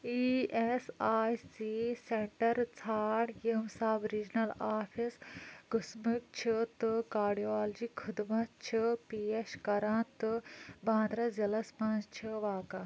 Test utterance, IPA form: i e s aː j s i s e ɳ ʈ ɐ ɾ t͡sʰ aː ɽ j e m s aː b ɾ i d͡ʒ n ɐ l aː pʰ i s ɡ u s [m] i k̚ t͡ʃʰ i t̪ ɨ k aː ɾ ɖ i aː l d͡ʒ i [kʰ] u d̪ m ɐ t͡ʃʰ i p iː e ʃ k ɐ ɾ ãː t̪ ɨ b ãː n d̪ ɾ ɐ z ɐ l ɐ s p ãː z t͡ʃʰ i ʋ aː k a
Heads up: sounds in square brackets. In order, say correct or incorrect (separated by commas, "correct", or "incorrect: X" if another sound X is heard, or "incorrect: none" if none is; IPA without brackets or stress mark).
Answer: correct, correct